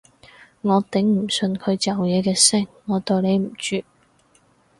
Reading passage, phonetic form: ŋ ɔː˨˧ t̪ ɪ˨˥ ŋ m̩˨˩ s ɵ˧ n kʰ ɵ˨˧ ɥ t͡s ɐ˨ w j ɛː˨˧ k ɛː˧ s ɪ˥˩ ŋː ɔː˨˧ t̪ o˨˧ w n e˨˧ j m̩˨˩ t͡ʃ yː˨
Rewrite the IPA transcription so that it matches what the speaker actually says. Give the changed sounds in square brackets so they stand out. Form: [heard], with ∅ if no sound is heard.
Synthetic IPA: ŋ ɔː˨˧ t̪ ɪ˨˥ ŋ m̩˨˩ s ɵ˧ n kʰ ɵ˨˧ ɥ t͡s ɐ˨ w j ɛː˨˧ k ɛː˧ s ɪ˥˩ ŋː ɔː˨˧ t̪ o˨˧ w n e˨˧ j m̩˨˩ t͡ʃ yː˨